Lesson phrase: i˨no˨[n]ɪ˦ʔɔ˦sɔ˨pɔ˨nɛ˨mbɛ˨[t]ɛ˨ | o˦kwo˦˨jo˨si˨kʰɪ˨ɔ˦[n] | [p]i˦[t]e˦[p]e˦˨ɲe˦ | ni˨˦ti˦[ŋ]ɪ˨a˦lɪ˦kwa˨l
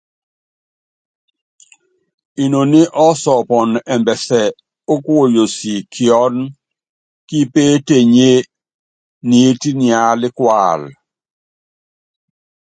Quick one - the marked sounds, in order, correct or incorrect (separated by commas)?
correct, incorrect, correct, incorrect, incorrect, incorrect, incorrect